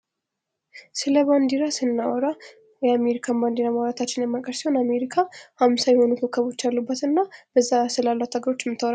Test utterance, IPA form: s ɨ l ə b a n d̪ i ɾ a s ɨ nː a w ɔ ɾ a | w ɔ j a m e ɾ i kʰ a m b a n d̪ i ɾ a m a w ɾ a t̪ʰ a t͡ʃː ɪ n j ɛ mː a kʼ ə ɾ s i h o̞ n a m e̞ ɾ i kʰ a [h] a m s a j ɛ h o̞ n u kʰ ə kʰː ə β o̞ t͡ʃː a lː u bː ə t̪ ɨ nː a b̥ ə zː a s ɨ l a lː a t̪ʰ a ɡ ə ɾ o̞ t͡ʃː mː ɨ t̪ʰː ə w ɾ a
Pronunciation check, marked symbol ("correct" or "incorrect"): correct